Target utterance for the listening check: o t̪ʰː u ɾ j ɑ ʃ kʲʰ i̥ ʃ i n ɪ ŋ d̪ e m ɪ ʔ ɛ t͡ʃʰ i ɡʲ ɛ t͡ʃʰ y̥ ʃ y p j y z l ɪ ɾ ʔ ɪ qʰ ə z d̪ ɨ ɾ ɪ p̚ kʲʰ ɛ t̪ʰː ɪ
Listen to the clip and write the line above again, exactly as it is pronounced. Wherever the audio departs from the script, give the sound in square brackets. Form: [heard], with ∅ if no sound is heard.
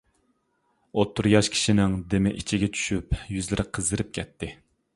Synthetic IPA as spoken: o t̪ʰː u ɾ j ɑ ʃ kʲʰ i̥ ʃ i n ɪ ŋ d̪ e m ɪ ʔ [i] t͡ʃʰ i ɡʲ ɛ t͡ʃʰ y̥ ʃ y p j y z l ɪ ɾ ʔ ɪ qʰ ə z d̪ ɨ ɾ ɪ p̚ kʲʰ ɛ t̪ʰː ɪ